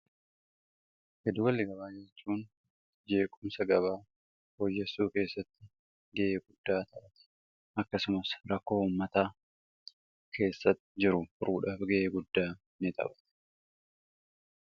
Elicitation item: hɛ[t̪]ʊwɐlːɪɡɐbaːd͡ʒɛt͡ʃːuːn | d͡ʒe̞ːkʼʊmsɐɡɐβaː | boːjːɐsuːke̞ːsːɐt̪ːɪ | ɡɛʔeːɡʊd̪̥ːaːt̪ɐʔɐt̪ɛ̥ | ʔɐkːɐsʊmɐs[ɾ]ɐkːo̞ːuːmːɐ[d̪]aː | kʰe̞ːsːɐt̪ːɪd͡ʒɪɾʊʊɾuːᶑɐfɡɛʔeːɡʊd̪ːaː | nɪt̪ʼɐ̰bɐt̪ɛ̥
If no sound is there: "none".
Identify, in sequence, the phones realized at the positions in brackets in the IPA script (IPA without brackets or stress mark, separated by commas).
d̪, ɾ, t̪